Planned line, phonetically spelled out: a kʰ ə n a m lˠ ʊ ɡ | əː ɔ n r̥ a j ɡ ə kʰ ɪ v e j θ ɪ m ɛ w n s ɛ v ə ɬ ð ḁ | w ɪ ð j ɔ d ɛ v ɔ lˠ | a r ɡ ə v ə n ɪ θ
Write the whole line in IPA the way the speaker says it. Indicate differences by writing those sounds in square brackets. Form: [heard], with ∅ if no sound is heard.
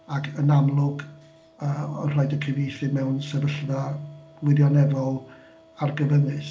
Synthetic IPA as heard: a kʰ ə n a m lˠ ʊ ɡ | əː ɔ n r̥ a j [d] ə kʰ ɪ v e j θ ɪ m ɛ w n s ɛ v ə ɬ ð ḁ | w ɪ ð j ɔ [n] ɛ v ɔ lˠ | a r ɡ ə v ə n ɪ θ